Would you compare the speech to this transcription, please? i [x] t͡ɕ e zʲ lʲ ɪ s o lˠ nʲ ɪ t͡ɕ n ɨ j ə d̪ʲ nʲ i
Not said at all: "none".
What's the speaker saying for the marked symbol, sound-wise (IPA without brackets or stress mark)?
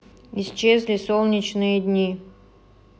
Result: s